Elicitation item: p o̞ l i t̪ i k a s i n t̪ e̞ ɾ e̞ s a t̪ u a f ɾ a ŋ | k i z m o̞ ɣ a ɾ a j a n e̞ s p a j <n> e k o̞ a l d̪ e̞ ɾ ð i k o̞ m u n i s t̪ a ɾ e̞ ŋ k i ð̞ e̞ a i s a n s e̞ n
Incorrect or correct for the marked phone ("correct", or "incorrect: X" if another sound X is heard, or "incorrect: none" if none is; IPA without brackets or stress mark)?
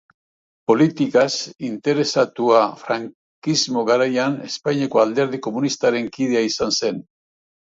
incorrect: ɲ